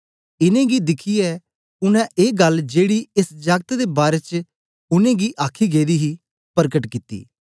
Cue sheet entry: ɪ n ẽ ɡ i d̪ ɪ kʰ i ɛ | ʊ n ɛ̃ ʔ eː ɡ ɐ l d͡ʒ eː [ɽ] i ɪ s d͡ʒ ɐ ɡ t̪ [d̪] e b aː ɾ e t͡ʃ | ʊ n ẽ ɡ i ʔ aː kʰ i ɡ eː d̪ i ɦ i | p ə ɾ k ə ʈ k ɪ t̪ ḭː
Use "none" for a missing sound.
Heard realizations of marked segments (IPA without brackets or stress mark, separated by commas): ɽ, d̪